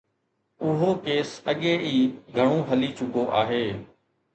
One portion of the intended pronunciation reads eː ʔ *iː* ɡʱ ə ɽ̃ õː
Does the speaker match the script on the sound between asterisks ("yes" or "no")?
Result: yes